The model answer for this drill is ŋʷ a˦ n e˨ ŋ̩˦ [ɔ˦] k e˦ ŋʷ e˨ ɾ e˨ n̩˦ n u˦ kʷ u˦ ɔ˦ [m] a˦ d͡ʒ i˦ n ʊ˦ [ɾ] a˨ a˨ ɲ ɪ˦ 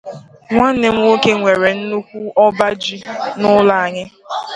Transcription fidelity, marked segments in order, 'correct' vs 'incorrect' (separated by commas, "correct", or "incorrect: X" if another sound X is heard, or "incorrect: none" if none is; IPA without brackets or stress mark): incorrect: o˦, incorrect: b, incorrect: l